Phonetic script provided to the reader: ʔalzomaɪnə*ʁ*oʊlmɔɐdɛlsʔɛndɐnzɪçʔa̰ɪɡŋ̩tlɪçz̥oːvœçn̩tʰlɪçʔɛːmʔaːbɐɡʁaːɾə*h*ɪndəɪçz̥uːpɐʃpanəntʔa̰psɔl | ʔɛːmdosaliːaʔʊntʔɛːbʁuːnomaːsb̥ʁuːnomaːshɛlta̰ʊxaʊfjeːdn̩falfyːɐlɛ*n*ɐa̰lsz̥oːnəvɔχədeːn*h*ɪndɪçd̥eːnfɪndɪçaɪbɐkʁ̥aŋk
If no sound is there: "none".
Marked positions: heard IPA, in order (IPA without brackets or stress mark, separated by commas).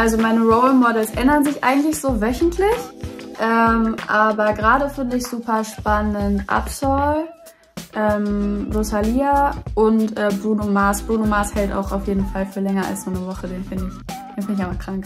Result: ʁ, f, ŋ, f